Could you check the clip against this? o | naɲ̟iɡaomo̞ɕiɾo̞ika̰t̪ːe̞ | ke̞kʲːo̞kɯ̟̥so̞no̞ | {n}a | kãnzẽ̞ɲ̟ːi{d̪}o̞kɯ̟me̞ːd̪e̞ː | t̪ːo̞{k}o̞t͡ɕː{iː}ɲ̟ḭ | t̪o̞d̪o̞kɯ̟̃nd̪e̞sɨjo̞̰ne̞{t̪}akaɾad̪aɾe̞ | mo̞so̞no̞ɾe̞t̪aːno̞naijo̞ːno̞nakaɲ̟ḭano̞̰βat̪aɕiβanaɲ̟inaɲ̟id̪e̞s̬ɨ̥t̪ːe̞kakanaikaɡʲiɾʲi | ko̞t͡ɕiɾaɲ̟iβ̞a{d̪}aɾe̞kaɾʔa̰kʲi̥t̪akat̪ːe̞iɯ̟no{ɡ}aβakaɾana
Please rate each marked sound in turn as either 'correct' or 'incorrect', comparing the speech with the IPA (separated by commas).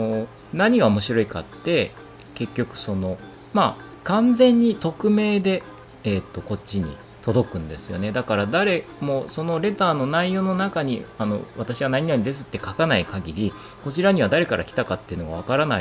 incorrect, incorrect, correct, incorrect, incorrect, correct, correct